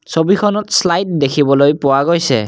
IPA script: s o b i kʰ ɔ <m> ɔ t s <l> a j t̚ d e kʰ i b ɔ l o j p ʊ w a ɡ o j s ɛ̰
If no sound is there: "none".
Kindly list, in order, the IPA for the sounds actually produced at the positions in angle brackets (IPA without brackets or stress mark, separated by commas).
n, l